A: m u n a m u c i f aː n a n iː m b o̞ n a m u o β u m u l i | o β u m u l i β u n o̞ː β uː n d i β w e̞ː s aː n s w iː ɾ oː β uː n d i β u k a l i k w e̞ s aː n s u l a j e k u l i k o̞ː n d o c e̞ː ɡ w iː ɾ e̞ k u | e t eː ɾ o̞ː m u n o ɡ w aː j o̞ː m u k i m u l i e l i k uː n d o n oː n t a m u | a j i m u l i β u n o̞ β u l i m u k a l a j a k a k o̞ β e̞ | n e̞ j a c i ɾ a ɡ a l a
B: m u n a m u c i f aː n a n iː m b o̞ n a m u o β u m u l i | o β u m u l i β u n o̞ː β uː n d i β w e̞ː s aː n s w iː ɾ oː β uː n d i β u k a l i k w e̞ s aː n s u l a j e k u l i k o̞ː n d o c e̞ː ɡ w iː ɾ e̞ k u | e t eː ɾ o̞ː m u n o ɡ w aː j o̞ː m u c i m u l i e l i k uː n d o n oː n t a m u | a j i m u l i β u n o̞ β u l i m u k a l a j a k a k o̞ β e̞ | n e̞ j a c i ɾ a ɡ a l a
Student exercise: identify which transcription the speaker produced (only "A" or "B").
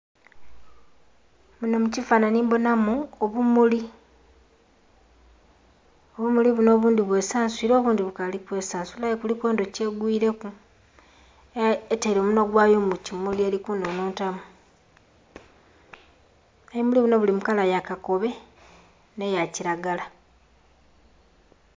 B